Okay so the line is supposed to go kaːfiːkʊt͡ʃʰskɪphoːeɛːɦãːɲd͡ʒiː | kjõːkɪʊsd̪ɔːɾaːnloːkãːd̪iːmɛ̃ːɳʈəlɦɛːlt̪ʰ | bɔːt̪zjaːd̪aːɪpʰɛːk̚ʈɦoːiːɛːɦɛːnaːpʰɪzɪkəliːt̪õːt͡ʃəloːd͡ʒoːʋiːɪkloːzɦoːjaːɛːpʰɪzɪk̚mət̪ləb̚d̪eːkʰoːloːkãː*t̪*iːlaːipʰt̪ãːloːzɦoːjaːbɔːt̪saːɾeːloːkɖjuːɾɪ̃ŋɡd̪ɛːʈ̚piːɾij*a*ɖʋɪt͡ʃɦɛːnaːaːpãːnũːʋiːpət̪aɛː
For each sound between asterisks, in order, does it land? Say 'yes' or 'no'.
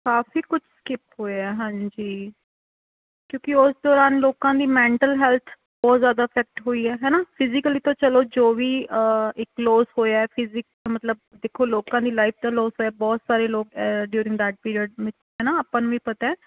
no, no

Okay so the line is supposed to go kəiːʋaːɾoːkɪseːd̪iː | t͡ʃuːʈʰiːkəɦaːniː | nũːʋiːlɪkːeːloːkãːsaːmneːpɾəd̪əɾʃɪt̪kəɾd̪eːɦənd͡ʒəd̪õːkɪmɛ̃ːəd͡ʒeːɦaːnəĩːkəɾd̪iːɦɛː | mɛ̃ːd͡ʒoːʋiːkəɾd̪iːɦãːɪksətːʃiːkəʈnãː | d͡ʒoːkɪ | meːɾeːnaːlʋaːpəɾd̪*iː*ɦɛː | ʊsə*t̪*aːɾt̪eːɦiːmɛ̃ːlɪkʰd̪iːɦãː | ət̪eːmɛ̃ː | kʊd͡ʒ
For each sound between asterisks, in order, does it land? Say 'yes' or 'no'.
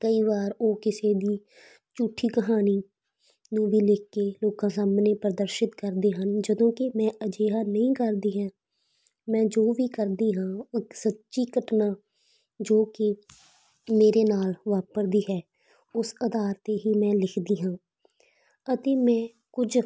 yes, no

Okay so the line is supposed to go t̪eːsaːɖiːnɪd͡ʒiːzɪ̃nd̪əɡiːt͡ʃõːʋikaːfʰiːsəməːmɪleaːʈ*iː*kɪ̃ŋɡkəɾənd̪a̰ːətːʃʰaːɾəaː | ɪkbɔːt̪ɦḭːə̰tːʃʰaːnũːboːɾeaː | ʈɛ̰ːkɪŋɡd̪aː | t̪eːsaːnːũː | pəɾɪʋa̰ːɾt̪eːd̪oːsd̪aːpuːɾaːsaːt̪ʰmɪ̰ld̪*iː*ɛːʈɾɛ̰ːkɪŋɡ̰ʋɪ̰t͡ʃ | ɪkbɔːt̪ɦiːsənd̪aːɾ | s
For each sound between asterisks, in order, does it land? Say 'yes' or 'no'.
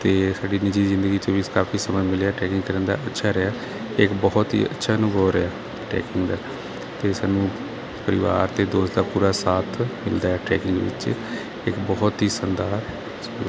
no, no

